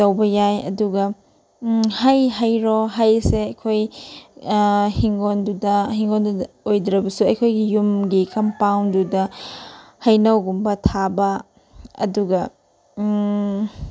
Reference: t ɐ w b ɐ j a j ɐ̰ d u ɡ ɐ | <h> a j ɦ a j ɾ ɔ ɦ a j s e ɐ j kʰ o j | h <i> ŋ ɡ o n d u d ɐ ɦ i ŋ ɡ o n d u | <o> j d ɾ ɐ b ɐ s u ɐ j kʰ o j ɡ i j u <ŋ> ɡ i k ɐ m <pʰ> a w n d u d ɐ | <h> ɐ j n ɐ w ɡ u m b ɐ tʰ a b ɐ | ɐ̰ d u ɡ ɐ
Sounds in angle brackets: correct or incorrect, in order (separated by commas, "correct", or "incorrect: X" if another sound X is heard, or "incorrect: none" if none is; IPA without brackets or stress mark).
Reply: correct, correct, correct, incorrect: m, incorrect: p, correct